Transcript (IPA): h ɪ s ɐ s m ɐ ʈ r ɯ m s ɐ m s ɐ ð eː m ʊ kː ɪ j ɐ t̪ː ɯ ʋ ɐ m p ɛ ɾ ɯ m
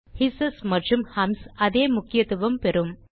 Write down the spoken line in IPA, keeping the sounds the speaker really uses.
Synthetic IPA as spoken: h ɪ s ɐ s m ɐ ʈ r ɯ m h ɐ m s ɐ ð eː m ʊ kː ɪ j ɐ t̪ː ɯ ʋ ɐ m p ɛ ɾ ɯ m